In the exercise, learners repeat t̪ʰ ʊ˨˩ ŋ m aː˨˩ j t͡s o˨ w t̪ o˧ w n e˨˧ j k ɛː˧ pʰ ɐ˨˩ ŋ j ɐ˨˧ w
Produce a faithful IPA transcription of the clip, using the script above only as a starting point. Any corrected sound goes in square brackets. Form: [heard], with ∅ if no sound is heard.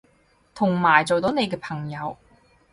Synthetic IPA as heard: t̪ʰ ʊ˨˩ ŋ m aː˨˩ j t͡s o˨ w t̪ [o˨˥] w n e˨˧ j k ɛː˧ pʰ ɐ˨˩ ŋ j ɐ˨˧ w